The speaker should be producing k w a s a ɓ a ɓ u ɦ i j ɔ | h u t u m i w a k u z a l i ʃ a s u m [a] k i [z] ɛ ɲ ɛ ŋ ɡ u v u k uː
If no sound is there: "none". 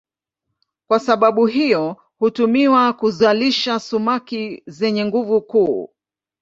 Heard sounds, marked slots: a, z

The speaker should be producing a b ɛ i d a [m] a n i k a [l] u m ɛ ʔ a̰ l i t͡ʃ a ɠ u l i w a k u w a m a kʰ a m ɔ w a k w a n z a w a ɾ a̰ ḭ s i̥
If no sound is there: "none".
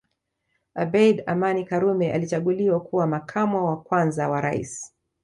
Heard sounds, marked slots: m, ɾ

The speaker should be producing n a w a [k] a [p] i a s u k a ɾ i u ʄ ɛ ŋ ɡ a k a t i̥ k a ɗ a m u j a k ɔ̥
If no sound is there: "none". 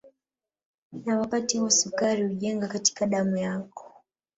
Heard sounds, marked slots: p, t

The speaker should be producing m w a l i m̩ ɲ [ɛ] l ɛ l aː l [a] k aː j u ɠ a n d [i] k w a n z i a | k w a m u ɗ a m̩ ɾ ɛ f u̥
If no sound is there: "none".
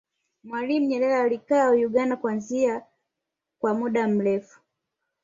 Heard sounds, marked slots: ɛ, i, a

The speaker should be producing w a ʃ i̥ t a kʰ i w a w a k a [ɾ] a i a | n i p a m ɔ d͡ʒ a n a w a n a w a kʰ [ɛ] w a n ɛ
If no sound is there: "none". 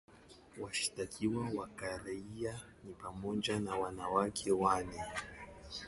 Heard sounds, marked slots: ɾ, ɛ

